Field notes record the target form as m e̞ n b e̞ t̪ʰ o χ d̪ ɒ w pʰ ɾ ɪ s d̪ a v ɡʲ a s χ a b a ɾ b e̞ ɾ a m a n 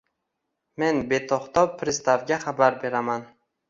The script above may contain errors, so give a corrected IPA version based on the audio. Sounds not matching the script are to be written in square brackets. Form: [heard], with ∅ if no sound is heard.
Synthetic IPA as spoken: m e̞ n b e̞ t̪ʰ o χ [t̪] ɒ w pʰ ɾ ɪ s [t̪] a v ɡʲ a [∅] χ a b a ɾ b e̞ ɾ a m a n